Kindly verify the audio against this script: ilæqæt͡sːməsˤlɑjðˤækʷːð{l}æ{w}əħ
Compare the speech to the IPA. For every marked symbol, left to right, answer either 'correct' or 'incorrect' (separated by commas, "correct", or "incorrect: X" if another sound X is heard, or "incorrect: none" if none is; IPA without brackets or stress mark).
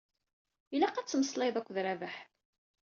incorrect: ɾ, incorrect: v